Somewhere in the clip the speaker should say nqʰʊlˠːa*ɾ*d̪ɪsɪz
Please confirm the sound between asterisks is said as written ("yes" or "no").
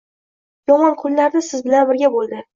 yes